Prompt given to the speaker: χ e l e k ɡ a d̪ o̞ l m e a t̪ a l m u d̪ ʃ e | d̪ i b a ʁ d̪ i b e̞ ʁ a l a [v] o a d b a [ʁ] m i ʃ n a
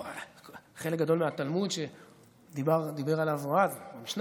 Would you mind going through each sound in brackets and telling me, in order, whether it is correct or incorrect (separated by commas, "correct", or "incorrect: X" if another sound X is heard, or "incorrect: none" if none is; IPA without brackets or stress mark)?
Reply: correct, incorrect: none